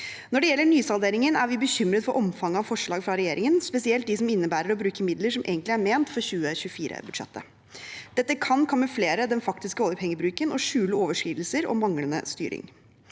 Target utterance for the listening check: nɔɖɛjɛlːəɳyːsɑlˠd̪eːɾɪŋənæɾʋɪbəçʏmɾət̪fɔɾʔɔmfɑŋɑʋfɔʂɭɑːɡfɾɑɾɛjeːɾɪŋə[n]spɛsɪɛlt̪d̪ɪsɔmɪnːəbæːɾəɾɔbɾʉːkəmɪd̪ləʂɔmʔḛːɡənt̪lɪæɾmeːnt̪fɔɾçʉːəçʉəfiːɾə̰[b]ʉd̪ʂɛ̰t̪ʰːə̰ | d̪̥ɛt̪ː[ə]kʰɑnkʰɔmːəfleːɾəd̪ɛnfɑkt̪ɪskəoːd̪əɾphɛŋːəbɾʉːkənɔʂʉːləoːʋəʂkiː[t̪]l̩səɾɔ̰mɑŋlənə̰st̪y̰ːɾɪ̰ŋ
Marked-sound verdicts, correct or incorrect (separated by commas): correct, correct, correct, incorrect